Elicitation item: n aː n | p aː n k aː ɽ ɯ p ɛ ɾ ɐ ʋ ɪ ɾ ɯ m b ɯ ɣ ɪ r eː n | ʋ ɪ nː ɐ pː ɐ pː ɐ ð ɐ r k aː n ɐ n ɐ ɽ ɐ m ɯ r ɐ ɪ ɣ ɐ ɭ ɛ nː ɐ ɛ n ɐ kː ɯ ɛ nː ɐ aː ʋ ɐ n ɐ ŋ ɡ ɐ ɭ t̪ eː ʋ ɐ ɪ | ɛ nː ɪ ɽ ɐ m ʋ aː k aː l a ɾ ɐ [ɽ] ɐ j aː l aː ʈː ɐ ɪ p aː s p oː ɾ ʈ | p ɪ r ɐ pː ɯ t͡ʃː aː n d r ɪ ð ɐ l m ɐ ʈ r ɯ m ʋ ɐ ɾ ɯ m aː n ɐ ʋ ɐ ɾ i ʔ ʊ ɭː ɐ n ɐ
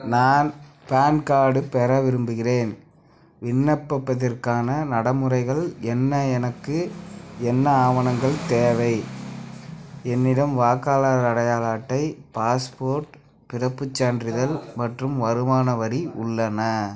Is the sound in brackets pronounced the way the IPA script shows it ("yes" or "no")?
yes